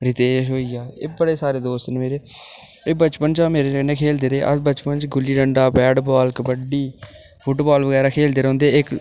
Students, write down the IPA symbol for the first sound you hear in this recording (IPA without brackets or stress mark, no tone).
ɾ